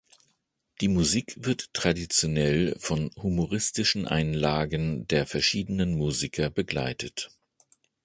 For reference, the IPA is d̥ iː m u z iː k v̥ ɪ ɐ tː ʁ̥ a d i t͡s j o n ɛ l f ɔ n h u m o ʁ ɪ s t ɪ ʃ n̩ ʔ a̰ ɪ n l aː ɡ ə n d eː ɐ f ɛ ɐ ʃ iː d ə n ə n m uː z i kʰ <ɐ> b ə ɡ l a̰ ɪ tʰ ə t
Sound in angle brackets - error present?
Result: no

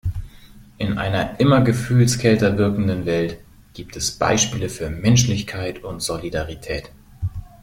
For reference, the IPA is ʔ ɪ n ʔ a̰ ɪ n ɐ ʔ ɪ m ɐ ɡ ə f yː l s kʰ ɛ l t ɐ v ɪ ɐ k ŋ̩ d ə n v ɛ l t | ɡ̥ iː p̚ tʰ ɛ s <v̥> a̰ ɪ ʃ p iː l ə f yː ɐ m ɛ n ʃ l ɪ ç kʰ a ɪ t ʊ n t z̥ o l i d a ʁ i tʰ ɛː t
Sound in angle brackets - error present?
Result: yes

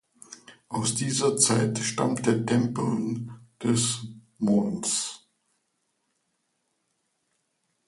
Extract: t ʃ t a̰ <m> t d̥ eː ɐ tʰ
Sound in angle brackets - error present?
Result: no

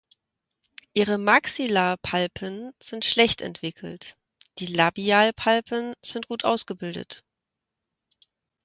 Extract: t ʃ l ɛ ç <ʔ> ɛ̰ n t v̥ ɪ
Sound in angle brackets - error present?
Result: yes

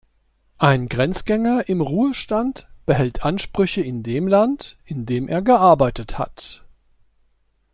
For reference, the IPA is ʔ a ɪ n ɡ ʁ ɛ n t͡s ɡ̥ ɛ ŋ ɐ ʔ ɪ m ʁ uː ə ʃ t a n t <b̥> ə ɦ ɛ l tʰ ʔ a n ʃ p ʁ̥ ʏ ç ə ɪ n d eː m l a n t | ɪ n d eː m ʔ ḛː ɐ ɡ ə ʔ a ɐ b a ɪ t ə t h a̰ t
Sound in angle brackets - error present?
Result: no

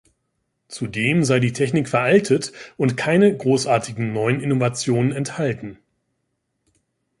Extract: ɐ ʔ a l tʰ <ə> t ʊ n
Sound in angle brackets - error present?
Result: no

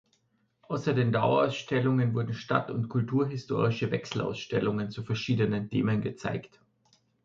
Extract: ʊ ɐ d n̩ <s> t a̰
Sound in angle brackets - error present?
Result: yes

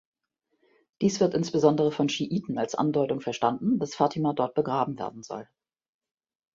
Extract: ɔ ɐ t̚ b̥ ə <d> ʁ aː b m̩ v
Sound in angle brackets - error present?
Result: yes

